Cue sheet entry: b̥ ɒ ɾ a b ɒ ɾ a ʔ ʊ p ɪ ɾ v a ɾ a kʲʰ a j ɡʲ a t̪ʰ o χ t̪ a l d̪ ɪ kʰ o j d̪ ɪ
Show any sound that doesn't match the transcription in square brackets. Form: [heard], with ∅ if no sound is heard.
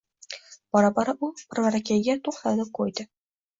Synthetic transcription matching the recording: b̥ ɒ ɾ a b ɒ ɾ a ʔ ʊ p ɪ ɾ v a ɾ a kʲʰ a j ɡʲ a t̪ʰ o χ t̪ a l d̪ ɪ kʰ o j d̪ ɪ